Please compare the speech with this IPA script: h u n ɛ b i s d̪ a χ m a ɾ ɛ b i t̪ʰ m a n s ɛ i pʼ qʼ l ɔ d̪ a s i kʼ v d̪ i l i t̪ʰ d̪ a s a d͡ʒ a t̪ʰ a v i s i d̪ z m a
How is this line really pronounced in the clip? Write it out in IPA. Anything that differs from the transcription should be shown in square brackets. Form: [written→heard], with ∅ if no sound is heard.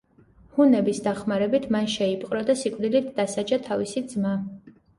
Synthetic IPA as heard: h u n ɛ b i s d̪ a χ m a ɾ ɛ b i t̪ʰ m a n [s→ʃ] ɛ i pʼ qʼ [l→ɾ] ɔ d̪ a s i kʼ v d̪ i l i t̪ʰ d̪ a s a d͡ʒ a t̪ʰ a v i s i d̪ z m a